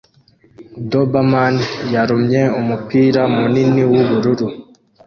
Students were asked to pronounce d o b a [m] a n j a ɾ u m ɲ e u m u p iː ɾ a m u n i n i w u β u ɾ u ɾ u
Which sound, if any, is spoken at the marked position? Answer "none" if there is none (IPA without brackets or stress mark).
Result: m